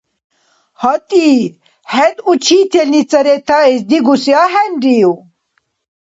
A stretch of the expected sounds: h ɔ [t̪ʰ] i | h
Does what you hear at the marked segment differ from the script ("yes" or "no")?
yes